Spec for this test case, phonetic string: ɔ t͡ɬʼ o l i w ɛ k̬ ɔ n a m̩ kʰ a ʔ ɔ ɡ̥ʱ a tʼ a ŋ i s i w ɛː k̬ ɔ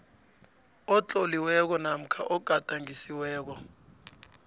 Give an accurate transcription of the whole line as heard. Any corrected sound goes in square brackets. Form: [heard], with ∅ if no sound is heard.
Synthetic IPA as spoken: ɔ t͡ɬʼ [ɔ] l i w ɛ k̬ ɔ n a m̩ kʰ a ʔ ɔ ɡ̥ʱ a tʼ a ŋ i s i w ɛː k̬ ɔ

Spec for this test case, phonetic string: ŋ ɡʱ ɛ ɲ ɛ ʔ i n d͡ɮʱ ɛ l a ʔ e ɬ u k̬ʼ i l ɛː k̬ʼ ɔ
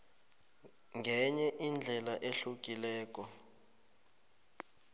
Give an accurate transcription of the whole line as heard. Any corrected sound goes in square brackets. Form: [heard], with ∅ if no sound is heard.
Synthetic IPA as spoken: ŋ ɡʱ ɛ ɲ ɛ ʔ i n d͡ɮʱ ɛ l a ʔ e ɬ u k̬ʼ i l ɛː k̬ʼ ɔ

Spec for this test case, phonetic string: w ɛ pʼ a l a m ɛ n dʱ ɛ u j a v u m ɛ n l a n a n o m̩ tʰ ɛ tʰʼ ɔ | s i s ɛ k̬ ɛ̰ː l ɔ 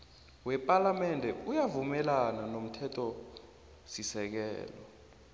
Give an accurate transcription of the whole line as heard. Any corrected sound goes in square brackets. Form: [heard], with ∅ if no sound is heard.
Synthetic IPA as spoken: w ɛ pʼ a l a m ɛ n dʱ ɛ u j a v u m ɛ [∅] l a n a n o m̩ tʰ ɛ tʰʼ ɔ | s i s ɛ k̬ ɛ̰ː l ɔ

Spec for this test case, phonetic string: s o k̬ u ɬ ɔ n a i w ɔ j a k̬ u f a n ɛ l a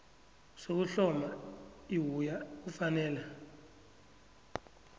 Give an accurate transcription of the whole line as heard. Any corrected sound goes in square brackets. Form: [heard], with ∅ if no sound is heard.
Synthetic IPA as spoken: s o k̬ u ɬ ɔ [m] a i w [u] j a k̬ u f a n [ɛː] l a

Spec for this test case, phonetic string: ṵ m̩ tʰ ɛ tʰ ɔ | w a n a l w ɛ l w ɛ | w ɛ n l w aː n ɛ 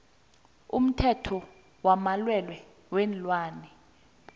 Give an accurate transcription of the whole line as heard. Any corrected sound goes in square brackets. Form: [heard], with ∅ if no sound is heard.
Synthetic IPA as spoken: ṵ m̩ tʰ ɛ tʰ ɔ | w a [m] a l w ɛ l w ɛ | w ɛ n l w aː n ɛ

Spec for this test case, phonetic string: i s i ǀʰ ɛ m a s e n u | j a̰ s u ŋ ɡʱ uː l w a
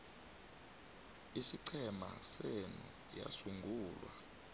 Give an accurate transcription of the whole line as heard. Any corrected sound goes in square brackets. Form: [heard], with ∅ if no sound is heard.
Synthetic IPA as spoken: i s i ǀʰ ɛ m a s e n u | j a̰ s u ŋ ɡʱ uː l w a

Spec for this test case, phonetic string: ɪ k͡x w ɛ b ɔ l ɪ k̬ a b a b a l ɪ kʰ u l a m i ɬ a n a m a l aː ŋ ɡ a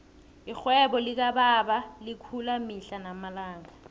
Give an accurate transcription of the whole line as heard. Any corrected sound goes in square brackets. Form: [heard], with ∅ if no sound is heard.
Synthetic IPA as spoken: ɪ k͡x w ɛ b ɔ l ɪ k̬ a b a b a l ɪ kʰ u l a m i ɬ a n a m a l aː ŋ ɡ a

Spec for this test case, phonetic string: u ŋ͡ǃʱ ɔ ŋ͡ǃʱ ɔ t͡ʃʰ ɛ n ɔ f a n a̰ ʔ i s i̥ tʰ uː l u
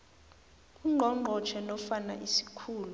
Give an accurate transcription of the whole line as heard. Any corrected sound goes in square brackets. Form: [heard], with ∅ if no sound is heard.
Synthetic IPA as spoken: u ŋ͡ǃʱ ɔ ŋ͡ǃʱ ɔ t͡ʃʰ ɛ n ɔ f a n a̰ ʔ i s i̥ [kʰ] uː l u

